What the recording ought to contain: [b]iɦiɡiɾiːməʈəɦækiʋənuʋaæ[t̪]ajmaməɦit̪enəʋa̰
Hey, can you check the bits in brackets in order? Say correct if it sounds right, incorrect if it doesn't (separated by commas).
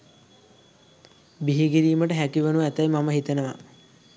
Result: correct, correct